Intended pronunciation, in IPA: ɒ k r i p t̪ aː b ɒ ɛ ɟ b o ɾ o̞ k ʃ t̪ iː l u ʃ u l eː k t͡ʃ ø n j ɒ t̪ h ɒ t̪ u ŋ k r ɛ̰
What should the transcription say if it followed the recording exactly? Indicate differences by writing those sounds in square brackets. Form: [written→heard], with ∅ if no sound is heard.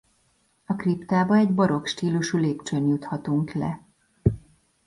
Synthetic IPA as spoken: ɒ k r i p t̪ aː b ɒ ɛ ɟ b [o→ɒ] ɾ o̞ k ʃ t̪ iː l u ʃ u l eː [k→p] t͡ʃ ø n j [ɒ→u] t̪ h ɒ t̪ u ŋ k [r→l] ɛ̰